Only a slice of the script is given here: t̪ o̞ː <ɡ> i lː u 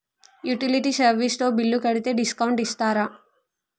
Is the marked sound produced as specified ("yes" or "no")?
no